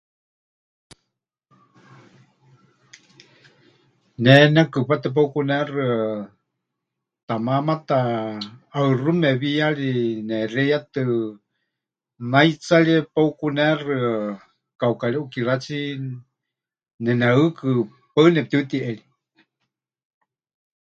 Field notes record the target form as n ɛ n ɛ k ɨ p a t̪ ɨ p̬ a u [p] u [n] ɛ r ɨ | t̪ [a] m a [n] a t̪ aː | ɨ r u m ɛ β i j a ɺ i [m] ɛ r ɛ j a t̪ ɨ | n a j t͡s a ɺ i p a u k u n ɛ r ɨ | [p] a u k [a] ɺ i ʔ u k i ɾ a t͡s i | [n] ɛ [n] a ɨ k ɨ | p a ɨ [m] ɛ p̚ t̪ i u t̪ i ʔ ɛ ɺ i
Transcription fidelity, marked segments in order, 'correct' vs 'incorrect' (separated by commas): incorrect, correct, correct, incorrect, incorrect, incorrect, correct, correct, correct, incorrect